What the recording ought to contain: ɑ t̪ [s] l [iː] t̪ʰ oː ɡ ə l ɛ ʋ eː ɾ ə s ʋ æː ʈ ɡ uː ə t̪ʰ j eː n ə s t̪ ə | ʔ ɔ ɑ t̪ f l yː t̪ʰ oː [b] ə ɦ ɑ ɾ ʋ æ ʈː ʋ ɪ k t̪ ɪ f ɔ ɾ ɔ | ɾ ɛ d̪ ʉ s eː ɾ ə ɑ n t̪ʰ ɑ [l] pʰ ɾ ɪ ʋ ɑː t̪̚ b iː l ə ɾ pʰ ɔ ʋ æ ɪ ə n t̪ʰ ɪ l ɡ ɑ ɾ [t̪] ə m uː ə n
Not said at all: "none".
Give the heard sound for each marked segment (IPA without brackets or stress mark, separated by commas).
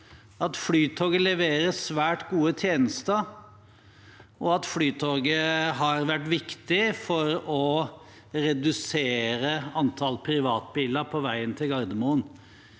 f, yː, ɡ, l, d̪